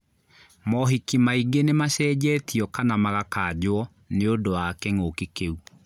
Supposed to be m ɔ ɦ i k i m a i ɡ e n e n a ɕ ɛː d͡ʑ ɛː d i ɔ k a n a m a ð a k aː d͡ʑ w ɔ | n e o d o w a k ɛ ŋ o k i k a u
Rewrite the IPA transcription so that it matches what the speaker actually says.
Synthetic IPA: m ɔ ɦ i k i m a i ɡ e n e m a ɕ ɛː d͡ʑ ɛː t i ɔ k a n a m a ɣ a k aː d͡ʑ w ɔ | n e o d o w a k ɛ ŋ o k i k e u

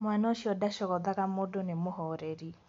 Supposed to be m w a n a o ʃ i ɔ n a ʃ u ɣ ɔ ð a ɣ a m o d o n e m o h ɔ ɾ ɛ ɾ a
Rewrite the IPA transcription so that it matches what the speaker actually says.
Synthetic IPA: m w a n a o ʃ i ɔ d a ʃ ɔ ɣ ɔ ð a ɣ a m o d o n e m o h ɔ ɾ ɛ ɾ i

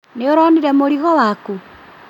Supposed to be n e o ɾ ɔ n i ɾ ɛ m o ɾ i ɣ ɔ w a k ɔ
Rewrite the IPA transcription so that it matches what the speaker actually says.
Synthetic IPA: n e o ɾ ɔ n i ɾ ɛ m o ɾ i ɣ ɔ w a k u

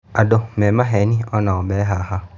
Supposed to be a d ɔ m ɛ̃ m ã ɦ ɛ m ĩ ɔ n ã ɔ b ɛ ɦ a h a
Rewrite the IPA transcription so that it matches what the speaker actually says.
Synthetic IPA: a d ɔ m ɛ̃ m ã ɦ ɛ n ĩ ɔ n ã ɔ b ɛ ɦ a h a

